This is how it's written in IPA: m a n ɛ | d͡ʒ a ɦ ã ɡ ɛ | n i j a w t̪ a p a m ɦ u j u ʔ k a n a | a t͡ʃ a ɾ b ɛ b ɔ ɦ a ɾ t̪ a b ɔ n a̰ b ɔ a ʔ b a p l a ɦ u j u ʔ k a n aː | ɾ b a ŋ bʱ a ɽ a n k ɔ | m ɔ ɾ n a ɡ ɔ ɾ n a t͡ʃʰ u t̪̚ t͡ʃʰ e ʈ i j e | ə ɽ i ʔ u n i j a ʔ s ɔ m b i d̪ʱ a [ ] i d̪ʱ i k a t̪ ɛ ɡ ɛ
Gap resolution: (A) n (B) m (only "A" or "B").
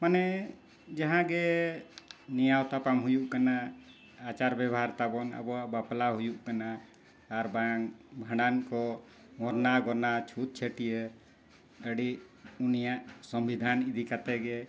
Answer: A